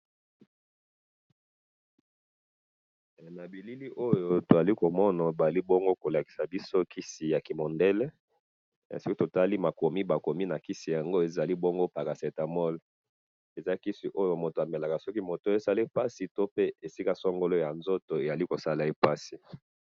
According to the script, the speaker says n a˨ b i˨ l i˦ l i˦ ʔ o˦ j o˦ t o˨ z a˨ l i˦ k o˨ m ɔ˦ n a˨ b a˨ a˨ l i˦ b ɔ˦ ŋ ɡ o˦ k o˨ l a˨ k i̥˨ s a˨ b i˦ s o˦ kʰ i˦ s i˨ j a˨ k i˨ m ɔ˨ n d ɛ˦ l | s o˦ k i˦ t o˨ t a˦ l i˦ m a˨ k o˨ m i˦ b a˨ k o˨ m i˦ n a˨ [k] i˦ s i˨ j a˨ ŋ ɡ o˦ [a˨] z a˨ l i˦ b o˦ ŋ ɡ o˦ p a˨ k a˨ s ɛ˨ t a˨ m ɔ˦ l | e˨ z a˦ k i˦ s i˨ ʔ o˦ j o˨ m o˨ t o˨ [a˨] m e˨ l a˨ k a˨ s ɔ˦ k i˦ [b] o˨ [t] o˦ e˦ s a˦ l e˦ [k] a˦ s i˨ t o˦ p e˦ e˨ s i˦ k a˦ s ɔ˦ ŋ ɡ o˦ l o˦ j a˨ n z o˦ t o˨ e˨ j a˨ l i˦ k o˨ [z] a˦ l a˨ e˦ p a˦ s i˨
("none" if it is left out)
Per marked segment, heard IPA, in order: k, e˨, a˨, m, t, p, s

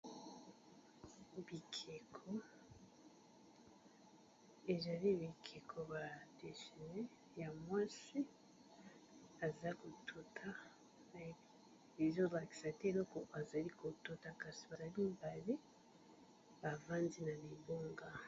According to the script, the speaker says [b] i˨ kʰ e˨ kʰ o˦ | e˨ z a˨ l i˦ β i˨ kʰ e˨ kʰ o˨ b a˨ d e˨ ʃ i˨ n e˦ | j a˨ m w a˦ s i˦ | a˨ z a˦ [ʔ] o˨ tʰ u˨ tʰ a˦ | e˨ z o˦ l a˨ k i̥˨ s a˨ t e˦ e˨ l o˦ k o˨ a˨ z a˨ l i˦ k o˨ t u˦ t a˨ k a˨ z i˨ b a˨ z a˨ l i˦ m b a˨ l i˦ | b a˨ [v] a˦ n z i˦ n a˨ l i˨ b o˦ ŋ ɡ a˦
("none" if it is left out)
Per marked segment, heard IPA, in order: b, k, v

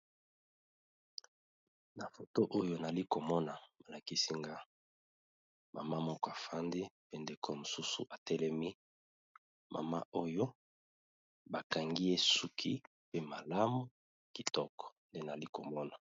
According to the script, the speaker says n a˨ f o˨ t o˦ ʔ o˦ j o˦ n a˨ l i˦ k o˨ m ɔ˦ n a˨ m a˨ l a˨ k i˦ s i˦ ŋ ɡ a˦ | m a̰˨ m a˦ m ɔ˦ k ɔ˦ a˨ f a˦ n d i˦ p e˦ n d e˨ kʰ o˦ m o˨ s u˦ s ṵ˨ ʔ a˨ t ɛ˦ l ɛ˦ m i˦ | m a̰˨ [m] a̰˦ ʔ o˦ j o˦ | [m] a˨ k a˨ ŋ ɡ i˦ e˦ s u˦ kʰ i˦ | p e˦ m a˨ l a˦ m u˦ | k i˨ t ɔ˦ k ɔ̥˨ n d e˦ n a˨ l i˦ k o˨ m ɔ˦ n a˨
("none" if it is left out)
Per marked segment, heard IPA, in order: m, b

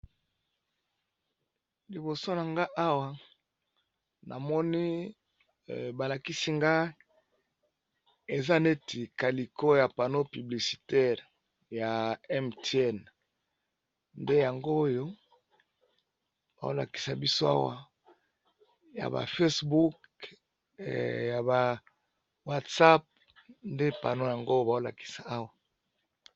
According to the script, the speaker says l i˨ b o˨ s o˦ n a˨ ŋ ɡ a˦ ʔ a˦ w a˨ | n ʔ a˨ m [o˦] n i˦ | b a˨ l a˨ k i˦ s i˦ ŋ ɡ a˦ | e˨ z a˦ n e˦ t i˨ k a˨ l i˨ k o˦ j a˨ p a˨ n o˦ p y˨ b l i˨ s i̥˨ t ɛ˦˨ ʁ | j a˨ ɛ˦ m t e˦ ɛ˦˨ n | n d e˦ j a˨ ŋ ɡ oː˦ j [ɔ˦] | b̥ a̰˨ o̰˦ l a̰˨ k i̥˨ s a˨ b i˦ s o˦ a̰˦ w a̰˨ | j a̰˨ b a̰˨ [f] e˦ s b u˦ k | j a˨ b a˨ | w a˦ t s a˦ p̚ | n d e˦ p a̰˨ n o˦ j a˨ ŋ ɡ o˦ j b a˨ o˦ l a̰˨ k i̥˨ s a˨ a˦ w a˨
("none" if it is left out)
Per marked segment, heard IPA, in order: ɔ˦, o˦, f

